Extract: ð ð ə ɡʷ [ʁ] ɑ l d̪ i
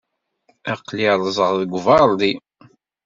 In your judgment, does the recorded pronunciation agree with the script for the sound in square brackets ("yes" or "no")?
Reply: no